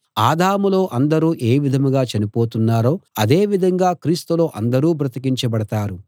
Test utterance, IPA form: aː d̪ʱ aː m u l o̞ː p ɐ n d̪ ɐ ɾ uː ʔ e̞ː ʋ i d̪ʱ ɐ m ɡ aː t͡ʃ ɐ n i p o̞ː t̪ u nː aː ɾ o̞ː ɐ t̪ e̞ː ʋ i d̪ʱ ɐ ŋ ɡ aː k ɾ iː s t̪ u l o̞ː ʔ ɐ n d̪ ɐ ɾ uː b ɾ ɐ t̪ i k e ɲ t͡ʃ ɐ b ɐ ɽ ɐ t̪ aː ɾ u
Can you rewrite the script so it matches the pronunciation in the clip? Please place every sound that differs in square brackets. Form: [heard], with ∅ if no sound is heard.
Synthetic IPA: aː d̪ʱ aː m u l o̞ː [ʔ] ɐ n d̪ ɐ ɾ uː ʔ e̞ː ʋ i d̪ʱ ɐ m ɡ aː t͡ʃ ɐ n i p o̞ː t̪ u nː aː ɾ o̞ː ɐ [d̪] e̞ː ʋ i d̪ʱ ɐ ŋ ɡ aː k ɾ iː s t̪ u l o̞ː ʔ ɐ n d̪ ɐ ɾ uː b ɾ ɐ t̪ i k [i] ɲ t͡ʃ ɐ b ɐ ɽ ɐ t̪ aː ɾ u